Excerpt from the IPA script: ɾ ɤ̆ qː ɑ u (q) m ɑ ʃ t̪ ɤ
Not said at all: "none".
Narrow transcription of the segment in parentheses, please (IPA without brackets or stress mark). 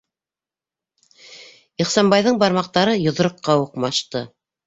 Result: q